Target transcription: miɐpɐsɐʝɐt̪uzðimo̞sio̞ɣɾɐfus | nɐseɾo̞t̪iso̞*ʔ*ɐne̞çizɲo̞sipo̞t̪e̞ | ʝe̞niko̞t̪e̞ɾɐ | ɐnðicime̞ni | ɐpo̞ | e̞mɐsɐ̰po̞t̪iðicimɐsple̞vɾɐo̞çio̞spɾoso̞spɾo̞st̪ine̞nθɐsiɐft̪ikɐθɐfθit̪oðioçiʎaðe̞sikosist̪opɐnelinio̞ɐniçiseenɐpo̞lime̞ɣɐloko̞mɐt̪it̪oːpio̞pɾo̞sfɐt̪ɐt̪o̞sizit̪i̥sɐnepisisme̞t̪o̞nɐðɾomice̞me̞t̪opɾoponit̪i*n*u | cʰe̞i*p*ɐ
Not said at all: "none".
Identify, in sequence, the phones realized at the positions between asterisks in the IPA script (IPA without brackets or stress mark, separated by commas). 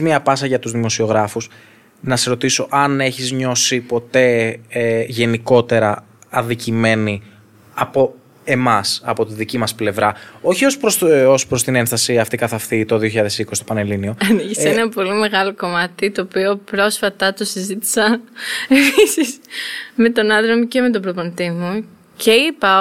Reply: ʔ, m, p